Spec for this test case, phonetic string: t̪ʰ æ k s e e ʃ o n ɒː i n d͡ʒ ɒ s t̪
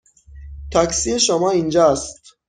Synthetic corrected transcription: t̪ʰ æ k s i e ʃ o m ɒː i n d͡ʒ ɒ s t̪